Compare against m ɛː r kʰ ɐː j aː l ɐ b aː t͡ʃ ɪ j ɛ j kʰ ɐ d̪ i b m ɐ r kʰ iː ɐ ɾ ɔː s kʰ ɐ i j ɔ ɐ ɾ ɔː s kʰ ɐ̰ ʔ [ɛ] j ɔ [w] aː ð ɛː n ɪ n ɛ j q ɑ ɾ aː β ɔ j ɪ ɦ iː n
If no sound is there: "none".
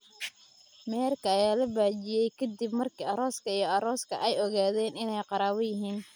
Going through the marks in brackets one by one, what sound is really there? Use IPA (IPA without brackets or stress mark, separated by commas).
ɛ, ɣ